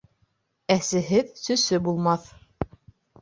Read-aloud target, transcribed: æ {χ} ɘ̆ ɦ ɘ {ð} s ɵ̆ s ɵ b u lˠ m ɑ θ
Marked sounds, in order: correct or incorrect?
incorrect, correct

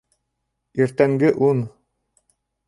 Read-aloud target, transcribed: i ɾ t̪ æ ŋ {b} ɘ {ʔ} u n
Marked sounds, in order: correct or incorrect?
incorrect, correct

